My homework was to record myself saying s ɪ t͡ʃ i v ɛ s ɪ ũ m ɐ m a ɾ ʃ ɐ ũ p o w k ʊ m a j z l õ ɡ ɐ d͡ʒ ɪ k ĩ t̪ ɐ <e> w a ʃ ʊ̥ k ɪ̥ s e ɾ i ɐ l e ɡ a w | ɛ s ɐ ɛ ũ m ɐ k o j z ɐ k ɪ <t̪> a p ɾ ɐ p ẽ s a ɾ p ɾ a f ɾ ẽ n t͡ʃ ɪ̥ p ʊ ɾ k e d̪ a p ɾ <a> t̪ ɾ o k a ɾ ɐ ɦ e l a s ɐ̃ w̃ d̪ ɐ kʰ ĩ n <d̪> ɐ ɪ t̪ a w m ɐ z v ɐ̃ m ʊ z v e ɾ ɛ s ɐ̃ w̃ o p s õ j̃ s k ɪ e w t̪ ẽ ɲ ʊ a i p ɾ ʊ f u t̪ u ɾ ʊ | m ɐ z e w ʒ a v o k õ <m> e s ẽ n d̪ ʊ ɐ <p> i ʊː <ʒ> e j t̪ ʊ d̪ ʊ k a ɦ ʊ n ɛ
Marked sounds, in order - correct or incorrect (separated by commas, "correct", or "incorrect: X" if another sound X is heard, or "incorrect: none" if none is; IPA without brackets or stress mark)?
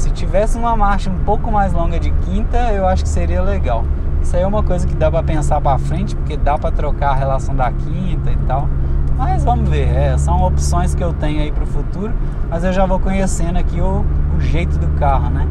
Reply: correct, incorrect: d̪, incorrect: ɐ, incorrect: t̪, incorrect: ɲ, incorrect: k, correct